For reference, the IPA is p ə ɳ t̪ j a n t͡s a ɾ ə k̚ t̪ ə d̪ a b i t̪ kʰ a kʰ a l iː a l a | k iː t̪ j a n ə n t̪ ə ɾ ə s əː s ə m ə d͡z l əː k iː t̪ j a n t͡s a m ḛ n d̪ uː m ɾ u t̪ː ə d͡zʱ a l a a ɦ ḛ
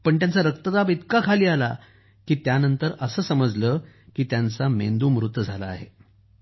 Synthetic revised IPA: p ə ɳ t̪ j a n t͡s a ɾ ə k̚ t̪ ə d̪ a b i t̪ k a kʰ a l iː a l a | k iː t̪ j a n ə n t̪ ə ɾ ə s əː s ə m ə d͡z l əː k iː t̪ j a n t͡s a m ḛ n d̪ uː m ɾ u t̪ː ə d͡zʱ a l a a ɦ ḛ